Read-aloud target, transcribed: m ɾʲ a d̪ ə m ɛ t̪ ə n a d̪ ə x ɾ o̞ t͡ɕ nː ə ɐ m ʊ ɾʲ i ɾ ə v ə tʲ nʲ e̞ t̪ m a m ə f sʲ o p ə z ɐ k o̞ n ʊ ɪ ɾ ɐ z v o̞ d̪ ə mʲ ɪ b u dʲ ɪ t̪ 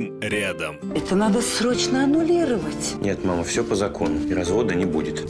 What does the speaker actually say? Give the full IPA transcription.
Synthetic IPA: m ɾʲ a d̪ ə m ɛ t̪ ə n a d̪ ə s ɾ o̞ t͡ɕ n ə ɐ n ʊ lʲ i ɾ ə v ə tʲ nʲ e̞ t̪ m a m ə f sʲ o p ə z ɐ k o̞ n ʊ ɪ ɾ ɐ z v o̞ d̪ ə nʲ ɪ b u dʲ ɪ t̪

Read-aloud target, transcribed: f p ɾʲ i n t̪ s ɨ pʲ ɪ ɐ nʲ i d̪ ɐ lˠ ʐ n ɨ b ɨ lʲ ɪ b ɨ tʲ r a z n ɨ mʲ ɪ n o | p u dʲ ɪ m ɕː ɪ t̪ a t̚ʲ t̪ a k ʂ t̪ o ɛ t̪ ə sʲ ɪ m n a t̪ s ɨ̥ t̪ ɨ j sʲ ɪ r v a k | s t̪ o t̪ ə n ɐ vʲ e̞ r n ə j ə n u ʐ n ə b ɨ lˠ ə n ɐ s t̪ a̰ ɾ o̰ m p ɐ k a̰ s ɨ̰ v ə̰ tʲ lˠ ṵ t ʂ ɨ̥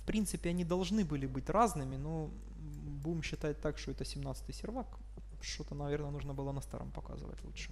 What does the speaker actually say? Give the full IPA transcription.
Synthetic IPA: f p ɾʲ i n t̪ s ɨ pʲ ɪ ɐ nʲ i d̪ ɐ lˠ ʐ n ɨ b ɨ lʲ ɪ b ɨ tʲ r a z n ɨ mʲ ɪ n o | b u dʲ ɪ m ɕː ɪ t̪ a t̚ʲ t̪ a k ʂ t̪ o ɛ t̪ ə sʲ ɪ m n a t̪ s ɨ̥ t̪ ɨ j sʲ ɪ r v a k | ʂ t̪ o t̪ ə n ɐ vʲ e̞ r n ə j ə n u ʐ n ə b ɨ lˠ ə n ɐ s t̪ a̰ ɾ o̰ m p ɐ k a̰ z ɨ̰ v ə̰ tʲ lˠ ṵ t ʂ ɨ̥

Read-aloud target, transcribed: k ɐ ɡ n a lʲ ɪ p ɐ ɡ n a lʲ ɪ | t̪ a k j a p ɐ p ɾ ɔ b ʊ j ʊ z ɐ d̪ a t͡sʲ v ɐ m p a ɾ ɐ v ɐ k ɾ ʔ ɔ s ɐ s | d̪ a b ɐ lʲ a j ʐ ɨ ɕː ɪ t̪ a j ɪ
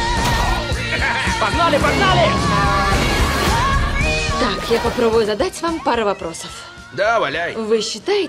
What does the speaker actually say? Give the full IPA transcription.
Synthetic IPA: p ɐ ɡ n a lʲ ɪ p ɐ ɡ n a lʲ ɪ | t̪ a k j a p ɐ p ɾ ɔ b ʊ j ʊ z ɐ d̪ a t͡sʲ v a m p a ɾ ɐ v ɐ p ɾ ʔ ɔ s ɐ f | d̪ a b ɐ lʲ a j v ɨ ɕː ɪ t̪ a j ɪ

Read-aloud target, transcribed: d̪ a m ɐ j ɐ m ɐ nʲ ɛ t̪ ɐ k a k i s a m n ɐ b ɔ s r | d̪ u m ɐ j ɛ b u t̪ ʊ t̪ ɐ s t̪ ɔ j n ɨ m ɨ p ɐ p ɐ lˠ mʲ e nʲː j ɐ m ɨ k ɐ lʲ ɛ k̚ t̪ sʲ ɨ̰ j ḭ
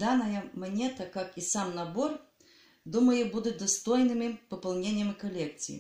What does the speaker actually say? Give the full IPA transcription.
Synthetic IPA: d̪ a n ɐ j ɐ m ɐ nʲ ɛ t̪ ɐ k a k i s a m n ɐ b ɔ r | d̪ u m ɐ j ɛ b u d̪ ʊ d̪ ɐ s t̪ ɔ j n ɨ m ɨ p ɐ p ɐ lˠ nʲ e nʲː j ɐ m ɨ k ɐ lʲ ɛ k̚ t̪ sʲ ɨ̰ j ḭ

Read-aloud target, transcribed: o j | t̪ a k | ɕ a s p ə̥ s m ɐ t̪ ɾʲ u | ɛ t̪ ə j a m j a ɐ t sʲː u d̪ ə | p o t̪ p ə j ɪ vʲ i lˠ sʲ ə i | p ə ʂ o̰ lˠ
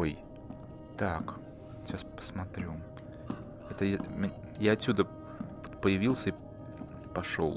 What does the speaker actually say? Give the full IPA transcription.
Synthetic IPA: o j | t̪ a k | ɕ a s p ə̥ s m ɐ t̪ ɾʲ u | ɛ t̪ ə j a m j a ɐ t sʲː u d̪ ə | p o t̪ p ə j ɪ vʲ i lˠ sʲ ə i | p ɐ ʂ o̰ lˠ

